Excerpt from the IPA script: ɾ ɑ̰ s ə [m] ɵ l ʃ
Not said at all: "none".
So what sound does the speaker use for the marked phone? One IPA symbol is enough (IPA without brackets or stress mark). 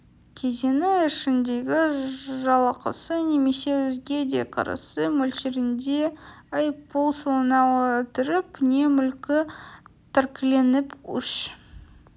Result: m